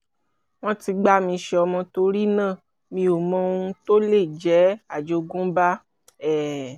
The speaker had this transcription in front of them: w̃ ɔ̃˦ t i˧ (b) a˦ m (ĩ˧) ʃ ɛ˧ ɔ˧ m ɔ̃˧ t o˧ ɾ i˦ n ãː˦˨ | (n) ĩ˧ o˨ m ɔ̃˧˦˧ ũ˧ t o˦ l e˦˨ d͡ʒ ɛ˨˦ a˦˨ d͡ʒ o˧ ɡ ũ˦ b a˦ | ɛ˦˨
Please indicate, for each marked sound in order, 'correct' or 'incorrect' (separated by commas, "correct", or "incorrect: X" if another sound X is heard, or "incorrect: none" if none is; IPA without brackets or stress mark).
incorrect: ɡ͡b, correct, incorrect: m